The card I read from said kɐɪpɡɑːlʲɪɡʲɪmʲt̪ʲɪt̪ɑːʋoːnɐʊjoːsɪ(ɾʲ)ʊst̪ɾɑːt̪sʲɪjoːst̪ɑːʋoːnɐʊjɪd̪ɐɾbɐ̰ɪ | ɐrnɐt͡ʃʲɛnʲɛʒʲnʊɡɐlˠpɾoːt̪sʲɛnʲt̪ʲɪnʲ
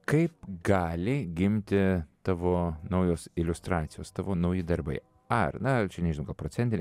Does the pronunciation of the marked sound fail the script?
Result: yes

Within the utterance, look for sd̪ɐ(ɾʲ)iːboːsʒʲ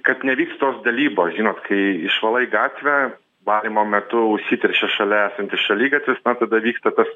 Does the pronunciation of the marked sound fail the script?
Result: yes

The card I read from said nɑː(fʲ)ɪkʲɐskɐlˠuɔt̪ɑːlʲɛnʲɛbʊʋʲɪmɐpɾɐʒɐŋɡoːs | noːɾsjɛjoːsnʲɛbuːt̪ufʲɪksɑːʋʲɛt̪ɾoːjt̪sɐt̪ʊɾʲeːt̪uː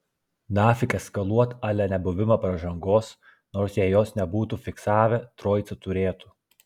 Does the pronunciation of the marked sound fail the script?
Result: no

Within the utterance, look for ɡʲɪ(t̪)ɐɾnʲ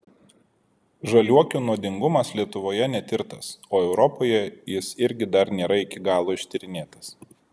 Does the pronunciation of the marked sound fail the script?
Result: yes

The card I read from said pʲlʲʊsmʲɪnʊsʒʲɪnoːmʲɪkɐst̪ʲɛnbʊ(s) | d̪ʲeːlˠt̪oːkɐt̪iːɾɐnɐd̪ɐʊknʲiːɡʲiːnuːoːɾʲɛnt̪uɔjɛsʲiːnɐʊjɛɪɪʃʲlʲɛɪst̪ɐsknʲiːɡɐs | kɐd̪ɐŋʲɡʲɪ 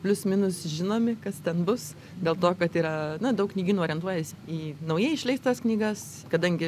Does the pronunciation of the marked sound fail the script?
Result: no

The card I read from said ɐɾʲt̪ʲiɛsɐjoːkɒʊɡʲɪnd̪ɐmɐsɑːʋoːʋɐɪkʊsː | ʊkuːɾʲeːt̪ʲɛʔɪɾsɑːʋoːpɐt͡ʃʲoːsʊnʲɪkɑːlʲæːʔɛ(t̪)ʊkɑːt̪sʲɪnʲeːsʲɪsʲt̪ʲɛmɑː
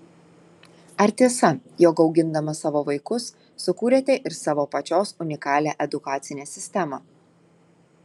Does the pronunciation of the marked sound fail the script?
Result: yes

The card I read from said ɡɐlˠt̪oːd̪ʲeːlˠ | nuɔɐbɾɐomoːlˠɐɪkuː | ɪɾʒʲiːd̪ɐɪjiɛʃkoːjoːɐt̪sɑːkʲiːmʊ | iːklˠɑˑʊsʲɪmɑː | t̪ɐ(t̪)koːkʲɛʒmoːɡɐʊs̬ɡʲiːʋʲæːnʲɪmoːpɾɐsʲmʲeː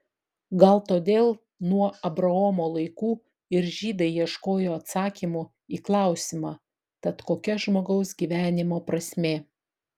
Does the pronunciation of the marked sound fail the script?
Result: no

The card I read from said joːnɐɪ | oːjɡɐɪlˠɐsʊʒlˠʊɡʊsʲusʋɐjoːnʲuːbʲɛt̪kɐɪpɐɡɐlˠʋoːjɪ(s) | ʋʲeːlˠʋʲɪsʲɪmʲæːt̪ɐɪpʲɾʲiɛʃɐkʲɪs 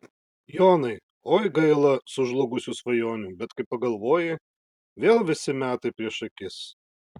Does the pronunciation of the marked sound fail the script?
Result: yes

